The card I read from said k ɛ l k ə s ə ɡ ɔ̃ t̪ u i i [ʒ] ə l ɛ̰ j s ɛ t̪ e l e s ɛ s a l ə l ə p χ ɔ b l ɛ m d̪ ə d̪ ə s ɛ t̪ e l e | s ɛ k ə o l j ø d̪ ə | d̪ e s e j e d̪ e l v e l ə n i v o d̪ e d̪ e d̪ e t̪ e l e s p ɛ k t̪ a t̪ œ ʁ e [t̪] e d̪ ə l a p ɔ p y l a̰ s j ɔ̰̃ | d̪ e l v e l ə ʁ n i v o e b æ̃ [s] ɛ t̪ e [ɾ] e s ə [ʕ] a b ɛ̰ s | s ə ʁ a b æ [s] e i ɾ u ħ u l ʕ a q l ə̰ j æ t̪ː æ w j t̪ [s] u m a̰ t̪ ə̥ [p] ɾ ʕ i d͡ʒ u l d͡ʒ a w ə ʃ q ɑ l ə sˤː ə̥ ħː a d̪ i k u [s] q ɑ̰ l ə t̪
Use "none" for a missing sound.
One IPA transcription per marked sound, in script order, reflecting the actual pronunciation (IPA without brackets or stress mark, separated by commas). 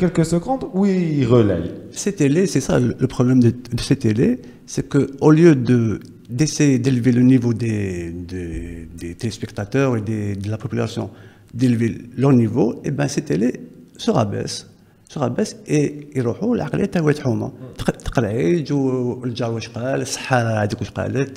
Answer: ʁ, d̪, s, l, ʁ, s, ħ, q, ʃ